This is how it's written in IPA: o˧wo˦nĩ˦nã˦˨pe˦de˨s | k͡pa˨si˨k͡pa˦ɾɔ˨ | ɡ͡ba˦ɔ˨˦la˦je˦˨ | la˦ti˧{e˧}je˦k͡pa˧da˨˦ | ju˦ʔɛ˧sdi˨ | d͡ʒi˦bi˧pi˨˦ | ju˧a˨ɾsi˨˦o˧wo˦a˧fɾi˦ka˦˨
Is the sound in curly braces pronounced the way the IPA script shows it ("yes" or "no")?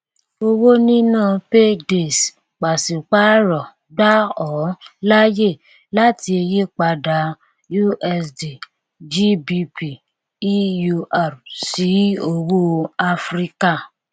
yes